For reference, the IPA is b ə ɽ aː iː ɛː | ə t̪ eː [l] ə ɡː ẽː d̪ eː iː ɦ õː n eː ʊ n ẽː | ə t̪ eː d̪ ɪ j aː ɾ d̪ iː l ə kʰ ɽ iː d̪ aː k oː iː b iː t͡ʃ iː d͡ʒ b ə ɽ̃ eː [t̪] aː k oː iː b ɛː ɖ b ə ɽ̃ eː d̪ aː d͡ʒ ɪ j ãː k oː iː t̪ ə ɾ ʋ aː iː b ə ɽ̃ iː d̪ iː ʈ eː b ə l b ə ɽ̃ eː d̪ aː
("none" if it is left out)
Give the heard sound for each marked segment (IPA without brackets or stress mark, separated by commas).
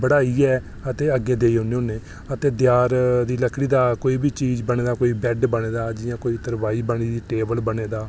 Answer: none, d̪